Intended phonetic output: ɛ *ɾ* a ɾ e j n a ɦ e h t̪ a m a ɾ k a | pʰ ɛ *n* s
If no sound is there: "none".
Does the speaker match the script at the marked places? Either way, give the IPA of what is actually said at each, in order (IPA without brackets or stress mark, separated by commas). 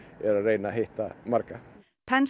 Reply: ɾ, n